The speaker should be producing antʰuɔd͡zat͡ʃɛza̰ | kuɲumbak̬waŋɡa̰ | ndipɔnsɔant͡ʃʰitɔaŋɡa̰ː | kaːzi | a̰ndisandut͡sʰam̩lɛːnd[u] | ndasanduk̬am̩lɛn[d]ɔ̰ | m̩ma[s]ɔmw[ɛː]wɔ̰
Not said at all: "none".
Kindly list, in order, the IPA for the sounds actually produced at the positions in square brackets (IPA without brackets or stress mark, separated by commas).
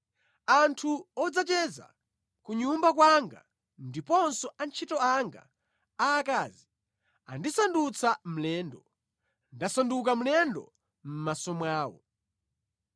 ɔ, d, s, aː